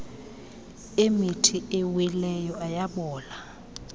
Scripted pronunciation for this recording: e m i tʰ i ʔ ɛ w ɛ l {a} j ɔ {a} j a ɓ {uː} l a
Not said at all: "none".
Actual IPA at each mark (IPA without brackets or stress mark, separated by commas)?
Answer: ɛ, a, ɔː